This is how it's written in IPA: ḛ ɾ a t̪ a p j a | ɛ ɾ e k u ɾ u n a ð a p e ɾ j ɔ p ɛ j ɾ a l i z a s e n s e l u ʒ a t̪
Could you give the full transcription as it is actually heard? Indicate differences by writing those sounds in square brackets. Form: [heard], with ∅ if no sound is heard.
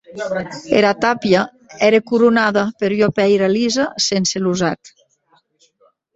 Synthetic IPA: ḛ ɾ a t̪ a p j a | ɛ ɾ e k u ɾ u n a ð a p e ɾ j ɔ p ɛ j ɾ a l i z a s e n s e l u [z] a t̪